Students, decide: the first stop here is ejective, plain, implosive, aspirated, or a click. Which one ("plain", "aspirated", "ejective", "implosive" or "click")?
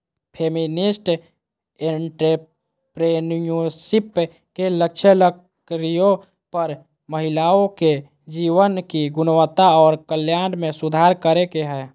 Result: aspirated